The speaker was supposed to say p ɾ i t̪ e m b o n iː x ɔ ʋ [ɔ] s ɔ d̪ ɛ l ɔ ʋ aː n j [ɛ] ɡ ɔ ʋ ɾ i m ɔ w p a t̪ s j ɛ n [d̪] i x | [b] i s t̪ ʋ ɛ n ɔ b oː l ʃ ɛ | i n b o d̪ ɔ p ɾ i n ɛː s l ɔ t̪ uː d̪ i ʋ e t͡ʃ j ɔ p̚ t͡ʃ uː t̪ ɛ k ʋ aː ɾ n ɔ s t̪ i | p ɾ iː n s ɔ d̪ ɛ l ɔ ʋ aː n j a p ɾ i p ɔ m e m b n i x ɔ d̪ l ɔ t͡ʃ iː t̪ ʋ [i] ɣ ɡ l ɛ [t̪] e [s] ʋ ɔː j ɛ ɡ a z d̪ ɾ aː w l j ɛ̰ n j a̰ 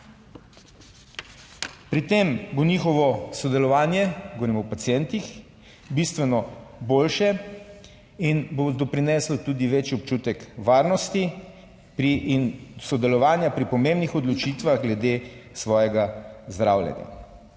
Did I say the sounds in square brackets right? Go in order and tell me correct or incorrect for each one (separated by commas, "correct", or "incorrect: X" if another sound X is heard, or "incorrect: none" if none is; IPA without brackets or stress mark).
correct, correct, incorrect: t̪, correct, incorrect: a, incorrect: d̪, correct